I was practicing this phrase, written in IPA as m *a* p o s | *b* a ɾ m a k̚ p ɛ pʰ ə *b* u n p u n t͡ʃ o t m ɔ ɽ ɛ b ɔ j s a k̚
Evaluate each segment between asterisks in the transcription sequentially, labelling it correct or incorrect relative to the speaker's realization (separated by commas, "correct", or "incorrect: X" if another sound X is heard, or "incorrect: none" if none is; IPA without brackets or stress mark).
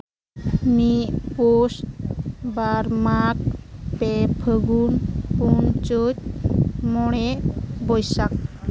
incorrect: i, correct, incorrect: ɡ